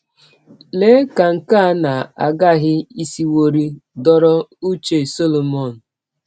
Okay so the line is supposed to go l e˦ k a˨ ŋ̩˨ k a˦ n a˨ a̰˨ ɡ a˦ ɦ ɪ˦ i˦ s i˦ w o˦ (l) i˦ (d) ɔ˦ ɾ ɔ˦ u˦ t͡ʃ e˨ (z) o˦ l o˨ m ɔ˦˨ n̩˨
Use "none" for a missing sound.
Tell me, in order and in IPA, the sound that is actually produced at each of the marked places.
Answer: ɾ, d, s

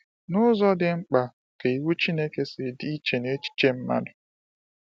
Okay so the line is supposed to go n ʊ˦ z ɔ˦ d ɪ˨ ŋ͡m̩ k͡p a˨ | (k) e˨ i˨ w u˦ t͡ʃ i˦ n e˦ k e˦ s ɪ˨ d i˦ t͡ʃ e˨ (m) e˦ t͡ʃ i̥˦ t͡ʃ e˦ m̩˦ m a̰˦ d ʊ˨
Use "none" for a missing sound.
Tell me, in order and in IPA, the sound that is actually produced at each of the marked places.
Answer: k, n

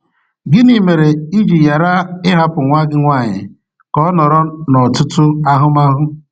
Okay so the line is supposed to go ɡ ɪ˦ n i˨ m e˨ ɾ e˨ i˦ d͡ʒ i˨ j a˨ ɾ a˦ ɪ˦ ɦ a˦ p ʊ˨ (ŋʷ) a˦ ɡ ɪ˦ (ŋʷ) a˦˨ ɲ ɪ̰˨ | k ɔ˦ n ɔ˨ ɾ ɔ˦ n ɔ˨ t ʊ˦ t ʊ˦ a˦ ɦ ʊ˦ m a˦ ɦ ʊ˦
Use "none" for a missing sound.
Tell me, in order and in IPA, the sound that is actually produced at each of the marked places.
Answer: ŋʷ, ŋʷ

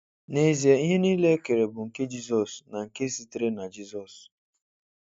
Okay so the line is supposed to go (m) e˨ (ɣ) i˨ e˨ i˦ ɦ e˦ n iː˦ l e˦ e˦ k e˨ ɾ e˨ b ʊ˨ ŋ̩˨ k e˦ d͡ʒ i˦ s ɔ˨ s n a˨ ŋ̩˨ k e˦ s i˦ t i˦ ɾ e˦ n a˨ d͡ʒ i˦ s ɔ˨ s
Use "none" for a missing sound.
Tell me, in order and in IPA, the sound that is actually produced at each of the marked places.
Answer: n, z

